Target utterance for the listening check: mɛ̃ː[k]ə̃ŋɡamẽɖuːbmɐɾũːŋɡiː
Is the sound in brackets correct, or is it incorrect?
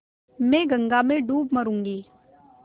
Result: incorrect